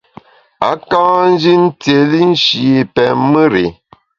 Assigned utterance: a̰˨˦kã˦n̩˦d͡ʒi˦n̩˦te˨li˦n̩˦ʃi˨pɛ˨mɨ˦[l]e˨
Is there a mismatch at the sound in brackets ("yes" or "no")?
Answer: yes